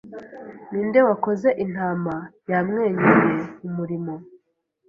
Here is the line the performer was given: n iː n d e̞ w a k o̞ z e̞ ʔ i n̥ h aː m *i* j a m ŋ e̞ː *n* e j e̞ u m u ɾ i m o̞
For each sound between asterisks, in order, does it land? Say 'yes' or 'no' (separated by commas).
no, no